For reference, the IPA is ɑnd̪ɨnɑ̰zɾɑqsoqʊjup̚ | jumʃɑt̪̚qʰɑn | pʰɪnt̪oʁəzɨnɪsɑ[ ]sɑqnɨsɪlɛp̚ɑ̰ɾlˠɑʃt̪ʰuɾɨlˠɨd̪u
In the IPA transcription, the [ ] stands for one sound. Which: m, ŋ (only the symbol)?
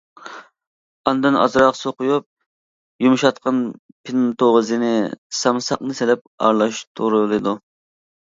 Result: m